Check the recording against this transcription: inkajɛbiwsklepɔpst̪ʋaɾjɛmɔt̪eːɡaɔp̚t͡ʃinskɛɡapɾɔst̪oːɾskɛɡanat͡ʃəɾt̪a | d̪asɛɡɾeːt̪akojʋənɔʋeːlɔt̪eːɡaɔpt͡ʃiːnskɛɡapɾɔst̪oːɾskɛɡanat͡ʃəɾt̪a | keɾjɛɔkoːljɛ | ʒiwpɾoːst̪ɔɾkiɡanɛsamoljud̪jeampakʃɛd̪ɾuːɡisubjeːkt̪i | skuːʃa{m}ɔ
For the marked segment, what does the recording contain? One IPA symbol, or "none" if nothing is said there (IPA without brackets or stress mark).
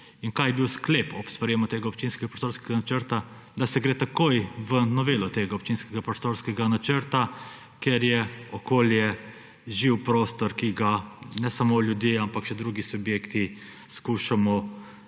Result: m